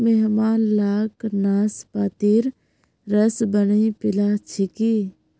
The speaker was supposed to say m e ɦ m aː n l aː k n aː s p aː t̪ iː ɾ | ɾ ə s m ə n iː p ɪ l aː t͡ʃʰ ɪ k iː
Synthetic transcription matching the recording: m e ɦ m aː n l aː k n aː s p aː t̪ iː ɾ | ɾ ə s b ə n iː p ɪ l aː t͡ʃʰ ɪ k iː